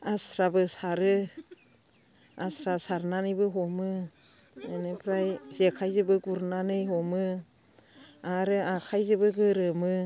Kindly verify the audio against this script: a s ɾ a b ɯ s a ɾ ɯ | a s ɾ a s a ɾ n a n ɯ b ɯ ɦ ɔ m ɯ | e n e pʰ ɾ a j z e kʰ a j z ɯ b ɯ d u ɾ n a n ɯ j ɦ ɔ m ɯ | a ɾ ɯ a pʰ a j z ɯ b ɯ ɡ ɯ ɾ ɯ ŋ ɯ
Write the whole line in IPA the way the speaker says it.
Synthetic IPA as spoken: a s ɾ a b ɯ s a ɾ ɯ | a s ɾ a s a ɾ n a n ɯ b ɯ ɦ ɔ m ɯ | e n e pʰ ɾ a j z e kʰ a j z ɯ b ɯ ɡ u ɾ n a n ɯ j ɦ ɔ m ɯ | a ɾ ɯ a kʰ a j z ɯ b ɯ ɡ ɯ ɾ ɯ m ɯ